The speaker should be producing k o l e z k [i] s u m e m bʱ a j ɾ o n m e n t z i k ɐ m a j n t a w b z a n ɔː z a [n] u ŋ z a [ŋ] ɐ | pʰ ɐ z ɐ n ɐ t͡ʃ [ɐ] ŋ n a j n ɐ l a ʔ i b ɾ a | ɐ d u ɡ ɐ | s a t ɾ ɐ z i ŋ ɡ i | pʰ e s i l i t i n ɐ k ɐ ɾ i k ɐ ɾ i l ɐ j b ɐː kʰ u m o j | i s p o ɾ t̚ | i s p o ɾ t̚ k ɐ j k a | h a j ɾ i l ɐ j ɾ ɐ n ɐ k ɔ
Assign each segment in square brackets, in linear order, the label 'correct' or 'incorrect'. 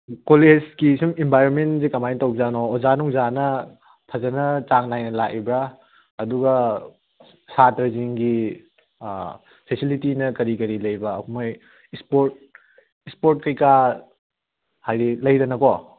correct, correct, incorrect: n, incorrect: a

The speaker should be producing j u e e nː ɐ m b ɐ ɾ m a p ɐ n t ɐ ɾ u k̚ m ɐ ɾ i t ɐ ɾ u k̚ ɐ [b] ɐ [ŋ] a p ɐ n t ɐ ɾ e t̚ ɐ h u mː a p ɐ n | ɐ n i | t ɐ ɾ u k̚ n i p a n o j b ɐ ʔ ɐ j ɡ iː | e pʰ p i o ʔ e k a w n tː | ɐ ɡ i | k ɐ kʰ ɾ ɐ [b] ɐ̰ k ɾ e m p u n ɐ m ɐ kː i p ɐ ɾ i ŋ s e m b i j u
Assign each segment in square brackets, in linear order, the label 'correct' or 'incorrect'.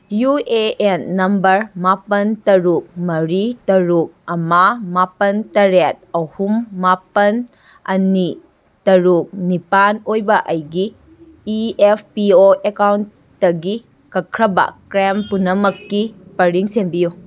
incorrect: m, incorrect: m, correct

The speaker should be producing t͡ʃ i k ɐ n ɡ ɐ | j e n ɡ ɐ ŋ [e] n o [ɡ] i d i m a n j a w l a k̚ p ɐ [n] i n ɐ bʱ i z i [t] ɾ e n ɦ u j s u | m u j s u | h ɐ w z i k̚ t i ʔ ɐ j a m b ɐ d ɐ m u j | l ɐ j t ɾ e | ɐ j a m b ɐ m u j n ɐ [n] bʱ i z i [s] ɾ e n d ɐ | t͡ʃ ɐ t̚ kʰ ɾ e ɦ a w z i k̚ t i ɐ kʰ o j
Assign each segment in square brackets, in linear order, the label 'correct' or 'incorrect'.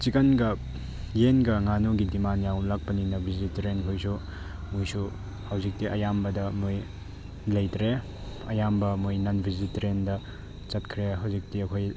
incorrect: a, correct, correct, correct, correct, incorrect: t

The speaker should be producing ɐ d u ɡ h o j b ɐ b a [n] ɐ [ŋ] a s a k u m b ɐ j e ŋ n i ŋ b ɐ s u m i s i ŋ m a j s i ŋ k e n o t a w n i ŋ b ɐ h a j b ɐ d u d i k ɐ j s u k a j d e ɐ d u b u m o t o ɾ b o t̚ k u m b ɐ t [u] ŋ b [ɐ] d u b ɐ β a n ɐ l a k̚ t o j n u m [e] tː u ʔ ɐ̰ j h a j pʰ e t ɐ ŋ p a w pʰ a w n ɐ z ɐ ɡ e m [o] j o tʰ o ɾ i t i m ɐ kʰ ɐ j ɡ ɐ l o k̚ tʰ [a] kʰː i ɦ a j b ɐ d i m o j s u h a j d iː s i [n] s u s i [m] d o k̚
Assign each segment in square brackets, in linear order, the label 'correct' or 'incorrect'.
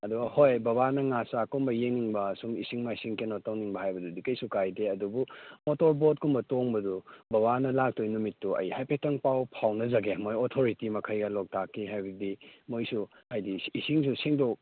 correct, correct, incorrect: o, correct, incorrect: i, correct, correct, incorrect: ŋ, incorrect: ŋ

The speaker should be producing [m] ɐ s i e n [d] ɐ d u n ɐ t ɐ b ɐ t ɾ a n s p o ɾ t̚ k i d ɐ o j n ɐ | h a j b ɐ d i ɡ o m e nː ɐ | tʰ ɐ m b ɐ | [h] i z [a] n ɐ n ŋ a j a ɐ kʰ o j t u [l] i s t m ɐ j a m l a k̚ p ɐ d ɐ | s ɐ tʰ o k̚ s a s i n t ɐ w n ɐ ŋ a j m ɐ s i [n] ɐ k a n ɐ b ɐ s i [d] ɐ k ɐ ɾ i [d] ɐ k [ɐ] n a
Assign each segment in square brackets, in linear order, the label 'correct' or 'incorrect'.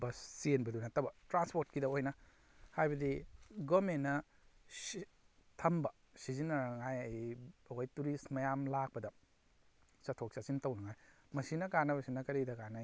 incorrect: b, incorrect: b, incorrect: s, incorrect: i, incorrect: ɾ, correct, incorrect: n, correct, incorrect: a

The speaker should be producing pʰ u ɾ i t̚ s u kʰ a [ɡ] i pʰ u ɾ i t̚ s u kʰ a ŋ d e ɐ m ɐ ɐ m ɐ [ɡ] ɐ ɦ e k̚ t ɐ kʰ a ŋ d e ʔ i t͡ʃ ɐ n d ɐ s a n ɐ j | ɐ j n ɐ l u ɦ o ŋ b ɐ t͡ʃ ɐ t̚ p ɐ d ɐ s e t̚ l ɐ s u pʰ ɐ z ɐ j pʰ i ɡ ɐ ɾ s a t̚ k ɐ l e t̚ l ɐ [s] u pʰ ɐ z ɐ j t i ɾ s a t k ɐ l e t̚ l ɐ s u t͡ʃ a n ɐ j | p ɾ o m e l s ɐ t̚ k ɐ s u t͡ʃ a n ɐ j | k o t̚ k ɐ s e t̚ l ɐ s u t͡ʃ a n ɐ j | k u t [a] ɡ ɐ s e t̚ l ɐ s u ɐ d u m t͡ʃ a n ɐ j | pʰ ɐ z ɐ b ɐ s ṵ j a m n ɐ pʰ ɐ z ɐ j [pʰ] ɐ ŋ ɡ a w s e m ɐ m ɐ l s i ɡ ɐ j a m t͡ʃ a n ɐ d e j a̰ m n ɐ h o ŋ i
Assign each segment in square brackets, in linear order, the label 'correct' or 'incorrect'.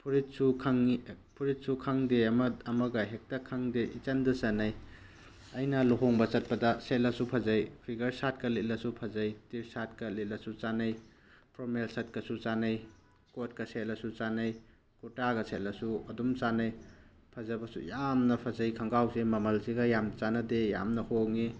incorrect: ŋ, correct, correct, correct, incorrect: kʰ

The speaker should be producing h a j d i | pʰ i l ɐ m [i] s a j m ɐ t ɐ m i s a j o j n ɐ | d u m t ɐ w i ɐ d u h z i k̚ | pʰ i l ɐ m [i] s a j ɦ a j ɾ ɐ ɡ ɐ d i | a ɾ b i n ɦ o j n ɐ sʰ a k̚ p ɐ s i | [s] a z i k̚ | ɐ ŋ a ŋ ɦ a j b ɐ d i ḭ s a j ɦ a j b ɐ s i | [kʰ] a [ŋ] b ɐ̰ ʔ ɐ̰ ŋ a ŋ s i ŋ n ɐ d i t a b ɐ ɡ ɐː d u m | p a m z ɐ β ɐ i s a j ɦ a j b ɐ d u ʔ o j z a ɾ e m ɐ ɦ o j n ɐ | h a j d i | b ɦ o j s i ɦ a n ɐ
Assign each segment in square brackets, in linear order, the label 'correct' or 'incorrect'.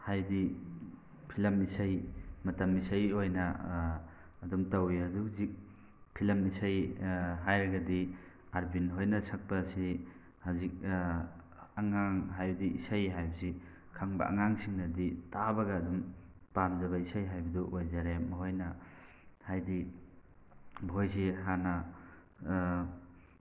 correct, correct, incorrect: h, correct, correct

